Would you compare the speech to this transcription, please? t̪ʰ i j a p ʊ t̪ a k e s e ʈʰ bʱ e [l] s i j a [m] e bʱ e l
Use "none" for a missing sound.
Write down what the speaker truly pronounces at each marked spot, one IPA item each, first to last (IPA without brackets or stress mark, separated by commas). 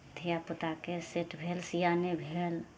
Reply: l, n